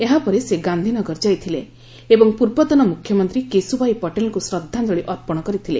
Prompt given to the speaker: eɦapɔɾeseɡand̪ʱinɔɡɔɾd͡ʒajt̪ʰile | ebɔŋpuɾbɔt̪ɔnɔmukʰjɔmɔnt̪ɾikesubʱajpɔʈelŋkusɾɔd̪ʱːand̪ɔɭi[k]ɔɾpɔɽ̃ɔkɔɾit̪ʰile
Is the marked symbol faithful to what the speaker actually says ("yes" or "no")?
no